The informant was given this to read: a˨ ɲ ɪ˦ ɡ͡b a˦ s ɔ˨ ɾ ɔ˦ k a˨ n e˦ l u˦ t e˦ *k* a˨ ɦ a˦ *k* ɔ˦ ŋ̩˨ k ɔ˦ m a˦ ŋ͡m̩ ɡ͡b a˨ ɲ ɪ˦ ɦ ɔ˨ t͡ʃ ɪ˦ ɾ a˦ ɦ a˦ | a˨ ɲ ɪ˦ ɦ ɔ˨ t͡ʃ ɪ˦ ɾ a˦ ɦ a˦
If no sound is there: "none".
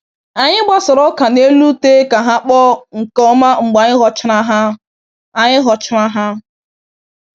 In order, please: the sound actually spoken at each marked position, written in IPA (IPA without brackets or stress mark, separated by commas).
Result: k, k͡p